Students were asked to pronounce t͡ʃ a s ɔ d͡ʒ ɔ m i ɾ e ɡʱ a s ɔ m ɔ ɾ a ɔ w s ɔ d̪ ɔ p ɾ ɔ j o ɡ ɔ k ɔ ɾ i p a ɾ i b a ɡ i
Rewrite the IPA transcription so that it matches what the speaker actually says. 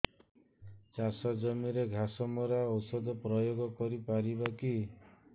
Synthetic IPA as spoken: t͡ʃ a s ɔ d͡ʒ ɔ m i ɾ e ɡʱ a s ɔ m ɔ ɾ a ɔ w s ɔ d̪ ɔ p ɾ ɔ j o ɡ ɔ k ɔ ɾ i p a ɾ i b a k i

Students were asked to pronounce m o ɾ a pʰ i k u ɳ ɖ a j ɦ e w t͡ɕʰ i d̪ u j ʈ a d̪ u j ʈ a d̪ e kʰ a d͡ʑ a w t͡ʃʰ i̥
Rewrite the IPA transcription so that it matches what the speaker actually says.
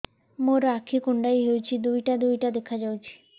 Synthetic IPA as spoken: m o ɾ a kʰ i k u ɳ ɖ a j ɦ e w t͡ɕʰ i d̪ u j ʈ a d̪ u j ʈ a d̪ e kʰ a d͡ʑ a w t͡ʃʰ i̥

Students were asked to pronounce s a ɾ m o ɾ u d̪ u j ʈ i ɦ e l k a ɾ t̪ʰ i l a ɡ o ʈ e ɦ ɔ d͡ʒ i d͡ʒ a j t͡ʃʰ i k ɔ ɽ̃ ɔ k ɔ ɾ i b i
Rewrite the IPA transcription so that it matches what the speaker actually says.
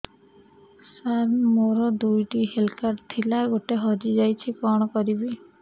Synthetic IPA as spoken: s a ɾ m o ɾ ɔ d̪ u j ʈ i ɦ e l k a ɾ t̪ʰ i l a ɡ o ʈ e ɦ ɔ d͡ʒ i d͡ʒ a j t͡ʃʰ i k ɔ ɽ̃ ɔ k ɔ ɾ i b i

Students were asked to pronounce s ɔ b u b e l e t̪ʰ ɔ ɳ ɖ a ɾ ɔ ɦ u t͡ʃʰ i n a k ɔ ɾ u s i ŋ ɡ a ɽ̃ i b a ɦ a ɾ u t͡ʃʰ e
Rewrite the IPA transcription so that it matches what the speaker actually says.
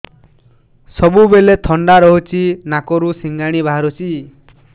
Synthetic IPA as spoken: s ɔ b u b e l e t̪ʰ ɔ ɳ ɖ a ɾ ɔ ɦ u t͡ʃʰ i n a k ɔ ɾ u s i ŋ ɡ a ɽ̃ i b a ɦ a ɾ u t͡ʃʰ i

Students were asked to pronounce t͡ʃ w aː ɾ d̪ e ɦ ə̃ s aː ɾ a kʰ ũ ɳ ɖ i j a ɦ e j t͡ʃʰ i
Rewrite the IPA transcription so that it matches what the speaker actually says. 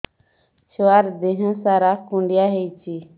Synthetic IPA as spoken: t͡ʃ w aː ɾ d̪ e ɦ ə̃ s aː ɾ a k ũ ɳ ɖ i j a ɦ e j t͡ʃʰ i

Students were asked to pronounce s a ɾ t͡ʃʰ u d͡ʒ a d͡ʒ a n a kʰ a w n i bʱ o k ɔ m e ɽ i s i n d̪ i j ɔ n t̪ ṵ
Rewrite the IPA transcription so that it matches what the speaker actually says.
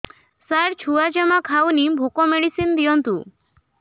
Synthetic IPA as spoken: s a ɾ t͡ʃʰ u a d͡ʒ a m a kʰ a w n i bʱ o k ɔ m e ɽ i s i n d̪ i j ɔ n t̪ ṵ

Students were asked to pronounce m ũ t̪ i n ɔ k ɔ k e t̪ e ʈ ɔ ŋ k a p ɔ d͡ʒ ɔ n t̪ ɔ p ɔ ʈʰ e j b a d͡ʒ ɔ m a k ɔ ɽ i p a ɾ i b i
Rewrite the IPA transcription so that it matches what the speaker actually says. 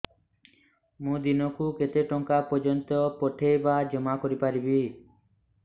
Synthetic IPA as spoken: m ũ d̪ i n ɔ k u k e t̪ e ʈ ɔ ŋ k a p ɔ d͡ʒ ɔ n t̪ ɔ p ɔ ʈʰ e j b a d͡ʒ ɔ m a k ɔ ɾ i p a ɾ i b i

